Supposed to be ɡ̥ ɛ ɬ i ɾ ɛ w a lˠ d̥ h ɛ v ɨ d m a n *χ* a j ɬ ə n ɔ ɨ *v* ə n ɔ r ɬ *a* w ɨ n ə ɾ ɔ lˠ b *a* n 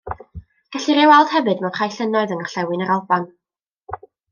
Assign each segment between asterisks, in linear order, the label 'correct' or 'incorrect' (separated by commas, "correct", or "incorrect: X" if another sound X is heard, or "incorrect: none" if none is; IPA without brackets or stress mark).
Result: correct, incorrect: ð, incorrect: ɛ, correct